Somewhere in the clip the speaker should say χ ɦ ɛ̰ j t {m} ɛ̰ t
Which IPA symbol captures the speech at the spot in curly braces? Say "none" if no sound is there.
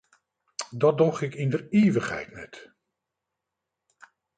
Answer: n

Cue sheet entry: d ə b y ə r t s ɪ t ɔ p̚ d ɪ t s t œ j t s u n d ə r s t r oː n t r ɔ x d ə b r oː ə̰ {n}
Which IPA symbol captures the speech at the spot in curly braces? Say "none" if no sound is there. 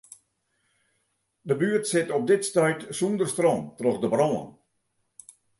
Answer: n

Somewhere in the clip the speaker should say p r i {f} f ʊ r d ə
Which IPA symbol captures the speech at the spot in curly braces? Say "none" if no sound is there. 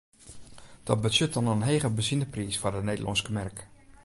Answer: s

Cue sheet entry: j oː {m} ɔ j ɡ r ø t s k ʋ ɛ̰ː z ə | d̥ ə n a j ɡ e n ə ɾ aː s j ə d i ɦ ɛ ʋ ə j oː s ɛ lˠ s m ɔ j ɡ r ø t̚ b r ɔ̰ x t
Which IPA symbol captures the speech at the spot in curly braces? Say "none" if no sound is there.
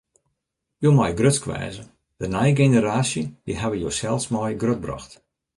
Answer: m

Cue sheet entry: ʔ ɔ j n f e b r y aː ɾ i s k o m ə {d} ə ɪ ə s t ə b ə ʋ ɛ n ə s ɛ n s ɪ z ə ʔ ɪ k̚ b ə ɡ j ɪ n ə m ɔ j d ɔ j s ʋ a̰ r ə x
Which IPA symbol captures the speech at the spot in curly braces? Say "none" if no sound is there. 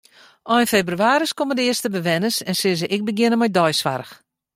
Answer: d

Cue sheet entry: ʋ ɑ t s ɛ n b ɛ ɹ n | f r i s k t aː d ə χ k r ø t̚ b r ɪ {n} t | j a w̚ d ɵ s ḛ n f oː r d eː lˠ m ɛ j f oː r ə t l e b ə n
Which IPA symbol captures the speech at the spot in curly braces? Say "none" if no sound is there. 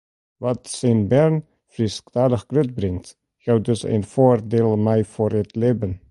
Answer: ŋ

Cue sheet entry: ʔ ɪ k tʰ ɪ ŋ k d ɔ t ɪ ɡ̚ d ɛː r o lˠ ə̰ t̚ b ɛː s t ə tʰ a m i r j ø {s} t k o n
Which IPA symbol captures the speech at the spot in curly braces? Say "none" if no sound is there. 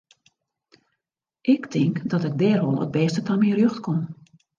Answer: x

